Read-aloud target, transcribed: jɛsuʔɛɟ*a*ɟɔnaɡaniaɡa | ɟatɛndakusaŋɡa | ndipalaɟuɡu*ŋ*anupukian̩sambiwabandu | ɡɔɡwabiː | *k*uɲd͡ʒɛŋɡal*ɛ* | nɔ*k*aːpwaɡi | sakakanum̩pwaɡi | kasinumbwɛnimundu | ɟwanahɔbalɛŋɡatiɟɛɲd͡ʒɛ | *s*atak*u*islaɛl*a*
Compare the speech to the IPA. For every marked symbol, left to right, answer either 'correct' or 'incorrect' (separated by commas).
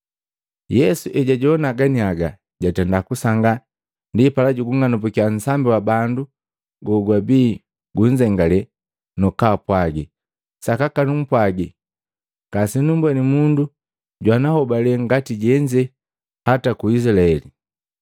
correct, correct, incorrect, correct, correct, incorrect, correct, incorrect